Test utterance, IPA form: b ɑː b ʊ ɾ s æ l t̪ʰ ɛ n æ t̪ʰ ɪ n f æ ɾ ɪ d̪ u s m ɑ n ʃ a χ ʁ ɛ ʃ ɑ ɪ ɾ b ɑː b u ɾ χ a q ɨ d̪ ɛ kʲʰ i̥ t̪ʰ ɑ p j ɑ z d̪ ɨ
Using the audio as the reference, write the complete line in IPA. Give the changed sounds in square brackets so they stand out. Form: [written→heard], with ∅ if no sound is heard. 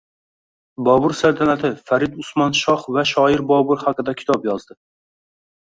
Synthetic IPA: b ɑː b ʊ ɾ s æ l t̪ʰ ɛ n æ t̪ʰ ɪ [n→∅] f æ ɾ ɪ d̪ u s m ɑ n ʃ [a→ɑ] χ [ʁ→v] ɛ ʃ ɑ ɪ ɾ b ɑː b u ɾ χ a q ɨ d̪ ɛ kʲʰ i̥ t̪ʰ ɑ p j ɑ z d̪ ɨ